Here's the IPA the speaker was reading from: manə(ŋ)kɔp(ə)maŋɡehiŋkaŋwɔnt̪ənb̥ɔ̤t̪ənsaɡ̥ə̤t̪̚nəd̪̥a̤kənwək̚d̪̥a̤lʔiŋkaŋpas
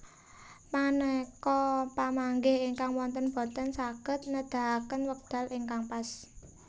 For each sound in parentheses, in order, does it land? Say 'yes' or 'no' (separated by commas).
no, no